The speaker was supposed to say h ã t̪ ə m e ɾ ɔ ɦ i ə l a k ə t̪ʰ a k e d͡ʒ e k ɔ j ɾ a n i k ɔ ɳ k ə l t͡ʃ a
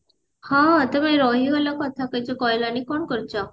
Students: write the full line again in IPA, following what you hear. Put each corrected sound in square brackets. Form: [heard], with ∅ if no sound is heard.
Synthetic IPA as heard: h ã t̪ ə m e ɾ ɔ ɦ i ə l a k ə t̪ʰ a k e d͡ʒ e k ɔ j [l] a n i k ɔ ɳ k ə [ɾ] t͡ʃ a

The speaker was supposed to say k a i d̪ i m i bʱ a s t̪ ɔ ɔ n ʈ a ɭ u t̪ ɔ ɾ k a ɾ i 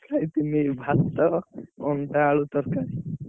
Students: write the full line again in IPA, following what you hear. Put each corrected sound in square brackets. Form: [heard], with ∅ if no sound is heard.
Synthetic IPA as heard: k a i [t̪] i m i bʱ a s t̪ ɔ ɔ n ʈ a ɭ u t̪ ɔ ɾ k a ɾ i

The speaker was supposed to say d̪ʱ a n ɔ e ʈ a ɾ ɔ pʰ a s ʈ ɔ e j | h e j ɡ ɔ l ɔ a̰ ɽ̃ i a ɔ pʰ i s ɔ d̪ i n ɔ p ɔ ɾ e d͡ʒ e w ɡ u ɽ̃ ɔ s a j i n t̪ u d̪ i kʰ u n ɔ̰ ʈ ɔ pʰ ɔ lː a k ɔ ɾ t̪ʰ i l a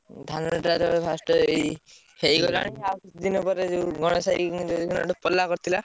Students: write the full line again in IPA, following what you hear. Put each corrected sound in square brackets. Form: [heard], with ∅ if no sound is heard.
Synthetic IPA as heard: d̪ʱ a n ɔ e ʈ a ɾ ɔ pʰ a s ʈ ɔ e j | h e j ɡ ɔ l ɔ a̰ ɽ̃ i a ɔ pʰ i s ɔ d̪ i n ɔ p ɔ ɾ e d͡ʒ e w ɡ [ɔ] ɽ̃ ɔ s a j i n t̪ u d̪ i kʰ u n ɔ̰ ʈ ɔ [p] ɔ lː a k ɔ ɾ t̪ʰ i l a

